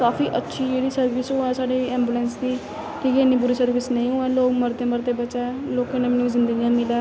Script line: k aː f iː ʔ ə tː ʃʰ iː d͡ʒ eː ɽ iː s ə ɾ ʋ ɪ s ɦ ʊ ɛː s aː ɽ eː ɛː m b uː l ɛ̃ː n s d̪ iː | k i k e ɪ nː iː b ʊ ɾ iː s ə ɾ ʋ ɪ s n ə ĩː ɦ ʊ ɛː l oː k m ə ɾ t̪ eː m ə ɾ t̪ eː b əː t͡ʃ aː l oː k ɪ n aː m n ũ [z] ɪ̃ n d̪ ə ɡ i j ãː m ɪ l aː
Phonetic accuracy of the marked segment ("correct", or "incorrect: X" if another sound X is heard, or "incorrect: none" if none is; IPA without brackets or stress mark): correct